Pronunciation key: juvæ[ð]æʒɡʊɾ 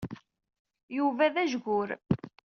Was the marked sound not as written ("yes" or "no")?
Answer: no